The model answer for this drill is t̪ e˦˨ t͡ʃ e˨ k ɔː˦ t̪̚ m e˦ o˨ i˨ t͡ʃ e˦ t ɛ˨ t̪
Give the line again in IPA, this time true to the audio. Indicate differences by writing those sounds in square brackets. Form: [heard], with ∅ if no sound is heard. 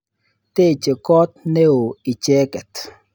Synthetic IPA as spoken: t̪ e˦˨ t͡ʃ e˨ k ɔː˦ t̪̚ [n] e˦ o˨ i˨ t͡ʃ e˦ [k] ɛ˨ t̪

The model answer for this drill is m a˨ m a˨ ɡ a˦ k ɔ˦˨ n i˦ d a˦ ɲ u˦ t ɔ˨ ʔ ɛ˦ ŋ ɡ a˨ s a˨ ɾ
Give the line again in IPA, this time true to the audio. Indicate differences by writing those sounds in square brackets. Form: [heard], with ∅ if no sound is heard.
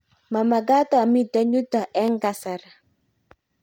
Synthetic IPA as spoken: m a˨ m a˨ ɡ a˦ [t] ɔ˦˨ [m] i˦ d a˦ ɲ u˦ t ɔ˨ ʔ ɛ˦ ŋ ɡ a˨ s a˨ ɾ

